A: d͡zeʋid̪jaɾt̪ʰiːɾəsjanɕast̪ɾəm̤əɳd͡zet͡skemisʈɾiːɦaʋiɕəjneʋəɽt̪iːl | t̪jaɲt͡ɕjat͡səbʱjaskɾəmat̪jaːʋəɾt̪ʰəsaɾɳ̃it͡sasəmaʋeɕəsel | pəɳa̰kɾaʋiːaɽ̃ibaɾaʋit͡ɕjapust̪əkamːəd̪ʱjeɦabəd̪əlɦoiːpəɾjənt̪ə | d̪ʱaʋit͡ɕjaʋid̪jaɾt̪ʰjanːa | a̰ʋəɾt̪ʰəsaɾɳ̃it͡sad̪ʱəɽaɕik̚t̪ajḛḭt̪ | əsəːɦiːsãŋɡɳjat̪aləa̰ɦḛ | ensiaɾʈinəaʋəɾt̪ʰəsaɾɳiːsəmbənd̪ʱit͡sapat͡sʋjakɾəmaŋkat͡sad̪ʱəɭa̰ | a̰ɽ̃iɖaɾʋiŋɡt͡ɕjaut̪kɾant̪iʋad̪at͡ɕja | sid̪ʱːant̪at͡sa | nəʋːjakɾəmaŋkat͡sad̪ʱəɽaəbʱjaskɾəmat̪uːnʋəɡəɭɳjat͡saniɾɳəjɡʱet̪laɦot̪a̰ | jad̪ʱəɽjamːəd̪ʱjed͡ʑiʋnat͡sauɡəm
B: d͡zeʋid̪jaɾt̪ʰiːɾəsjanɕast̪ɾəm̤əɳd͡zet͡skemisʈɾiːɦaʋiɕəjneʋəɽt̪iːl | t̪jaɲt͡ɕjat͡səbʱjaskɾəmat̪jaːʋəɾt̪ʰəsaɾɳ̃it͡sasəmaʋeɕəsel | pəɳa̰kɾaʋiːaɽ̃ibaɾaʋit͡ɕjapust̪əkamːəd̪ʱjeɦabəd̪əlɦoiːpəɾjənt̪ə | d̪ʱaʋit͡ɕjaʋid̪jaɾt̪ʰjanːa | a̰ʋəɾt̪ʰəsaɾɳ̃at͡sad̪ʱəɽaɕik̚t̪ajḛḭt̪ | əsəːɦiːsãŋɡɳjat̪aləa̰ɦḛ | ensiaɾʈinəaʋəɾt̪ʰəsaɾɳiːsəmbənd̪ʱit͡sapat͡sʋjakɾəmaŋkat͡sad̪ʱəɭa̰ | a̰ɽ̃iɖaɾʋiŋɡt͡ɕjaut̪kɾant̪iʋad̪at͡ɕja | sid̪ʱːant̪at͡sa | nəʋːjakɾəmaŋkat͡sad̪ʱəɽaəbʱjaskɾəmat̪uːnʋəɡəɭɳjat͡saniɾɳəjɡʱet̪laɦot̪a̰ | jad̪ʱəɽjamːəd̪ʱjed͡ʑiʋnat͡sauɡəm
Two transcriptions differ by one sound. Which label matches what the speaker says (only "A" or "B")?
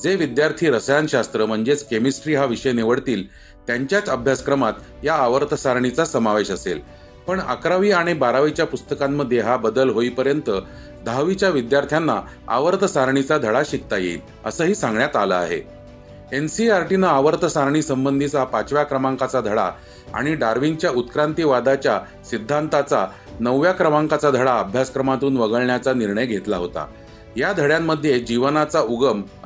A